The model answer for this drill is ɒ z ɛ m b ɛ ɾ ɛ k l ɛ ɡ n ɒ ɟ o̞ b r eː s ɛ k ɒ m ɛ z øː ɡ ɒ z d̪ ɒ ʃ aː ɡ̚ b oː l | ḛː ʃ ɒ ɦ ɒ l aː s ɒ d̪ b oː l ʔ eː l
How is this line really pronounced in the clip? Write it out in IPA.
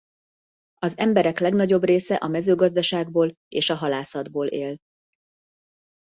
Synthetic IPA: ɒ z ɛ m b ɛ ɾ ɛ k l ɛ ɡ n ɒ ɟ o̞ b r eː s ɛ ʔ ɒ m ɛ z øː ɡ ɒ z d̪ ɒ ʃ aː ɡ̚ b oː l | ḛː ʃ ɒ ɦ ɒ l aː s ɒ d̪ b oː l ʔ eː l